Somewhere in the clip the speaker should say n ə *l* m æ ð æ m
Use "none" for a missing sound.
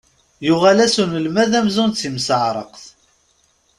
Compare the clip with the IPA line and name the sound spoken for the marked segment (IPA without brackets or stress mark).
l